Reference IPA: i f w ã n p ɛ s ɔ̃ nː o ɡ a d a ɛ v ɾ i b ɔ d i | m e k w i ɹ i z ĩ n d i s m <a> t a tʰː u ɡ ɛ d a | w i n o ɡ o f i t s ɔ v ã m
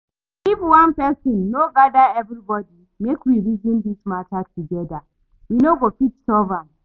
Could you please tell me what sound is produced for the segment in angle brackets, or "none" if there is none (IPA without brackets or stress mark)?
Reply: a